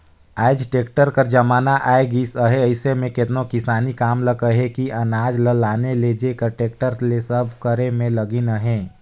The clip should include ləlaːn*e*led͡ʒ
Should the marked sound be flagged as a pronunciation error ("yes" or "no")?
no